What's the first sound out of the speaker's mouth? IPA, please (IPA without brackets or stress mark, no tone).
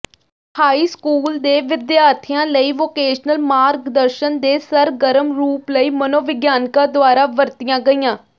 h